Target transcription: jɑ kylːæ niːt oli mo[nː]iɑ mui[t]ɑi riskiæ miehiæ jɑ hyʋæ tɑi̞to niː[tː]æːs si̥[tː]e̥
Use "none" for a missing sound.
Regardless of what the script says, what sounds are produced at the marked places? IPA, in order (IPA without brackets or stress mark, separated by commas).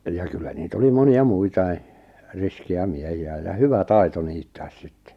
n, t, tː, tː